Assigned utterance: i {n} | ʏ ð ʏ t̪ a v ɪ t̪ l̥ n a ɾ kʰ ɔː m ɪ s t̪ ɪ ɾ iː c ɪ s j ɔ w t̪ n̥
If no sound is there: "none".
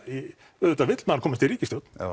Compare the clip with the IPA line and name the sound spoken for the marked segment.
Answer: none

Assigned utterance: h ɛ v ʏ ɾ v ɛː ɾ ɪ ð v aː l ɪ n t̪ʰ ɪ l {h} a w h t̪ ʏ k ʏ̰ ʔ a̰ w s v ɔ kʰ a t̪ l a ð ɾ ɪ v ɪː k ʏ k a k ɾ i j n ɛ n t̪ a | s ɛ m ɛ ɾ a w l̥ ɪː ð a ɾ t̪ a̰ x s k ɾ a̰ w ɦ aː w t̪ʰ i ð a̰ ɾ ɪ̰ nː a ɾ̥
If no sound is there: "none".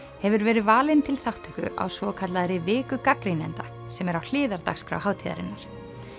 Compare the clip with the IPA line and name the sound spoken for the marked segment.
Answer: θ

